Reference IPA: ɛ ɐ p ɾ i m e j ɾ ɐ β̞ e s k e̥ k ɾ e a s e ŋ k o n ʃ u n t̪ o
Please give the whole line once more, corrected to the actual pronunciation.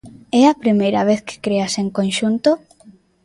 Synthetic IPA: ɛ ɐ p ɾ i m e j ɾ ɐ β̞ e θ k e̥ k ɾ e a s e ŋ k o n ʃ u n t̪ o